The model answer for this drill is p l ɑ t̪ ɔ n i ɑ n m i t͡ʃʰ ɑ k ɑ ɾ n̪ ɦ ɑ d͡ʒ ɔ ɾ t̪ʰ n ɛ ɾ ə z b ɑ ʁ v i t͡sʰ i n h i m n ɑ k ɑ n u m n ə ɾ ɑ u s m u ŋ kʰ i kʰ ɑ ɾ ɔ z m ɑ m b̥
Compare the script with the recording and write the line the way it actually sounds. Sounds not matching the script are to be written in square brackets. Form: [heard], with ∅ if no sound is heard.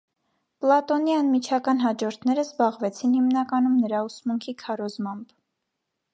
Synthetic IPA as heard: p l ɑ t̪ ɔ n i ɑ n m i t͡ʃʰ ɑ k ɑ [∅] n̪ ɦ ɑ d͡ʒ ɔ ɾ t̪ʰ n ɛ ɾ ə z b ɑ ʁ v [ɛ] t͡sʰ i n h i m n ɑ k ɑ n u m n ə ɾ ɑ u s m u ŋ kʰ i kʰ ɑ ɾ ɔ z m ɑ m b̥